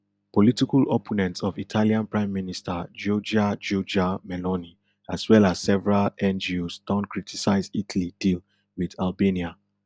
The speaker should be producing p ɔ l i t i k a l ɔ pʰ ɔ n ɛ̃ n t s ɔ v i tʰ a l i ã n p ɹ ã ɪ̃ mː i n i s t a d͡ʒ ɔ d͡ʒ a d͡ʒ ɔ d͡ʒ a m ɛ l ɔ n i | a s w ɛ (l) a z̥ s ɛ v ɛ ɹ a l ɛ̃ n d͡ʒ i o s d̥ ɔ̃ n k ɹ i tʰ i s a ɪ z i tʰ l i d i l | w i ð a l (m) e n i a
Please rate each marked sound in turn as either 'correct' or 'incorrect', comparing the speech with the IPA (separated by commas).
correct, incorrect